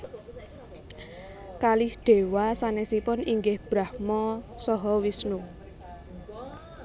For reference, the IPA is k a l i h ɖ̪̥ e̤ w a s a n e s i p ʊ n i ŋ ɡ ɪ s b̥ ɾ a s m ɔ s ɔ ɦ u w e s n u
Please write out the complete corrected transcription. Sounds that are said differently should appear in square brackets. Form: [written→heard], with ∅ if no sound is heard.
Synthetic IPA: k a l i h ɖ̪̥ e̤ w a s a n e s i p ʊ n i ŋ ɡ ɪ [s→h] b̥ ɾ a [s→h] m ɔ s ɔ ɦ [u→ɔ] w [e→i] s n u